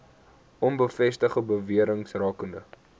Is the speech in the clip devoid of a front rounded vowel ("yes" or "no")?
yes